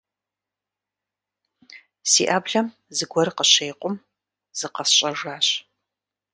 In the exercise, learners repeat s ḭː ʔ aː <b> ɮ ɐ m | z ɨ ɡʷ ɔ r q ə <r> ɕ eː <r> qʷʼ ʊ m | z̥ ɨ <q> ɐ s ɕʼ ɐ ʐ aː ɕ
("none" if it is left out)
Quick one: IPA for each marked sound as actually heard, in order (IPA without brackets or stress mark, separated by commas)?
b, none, none, q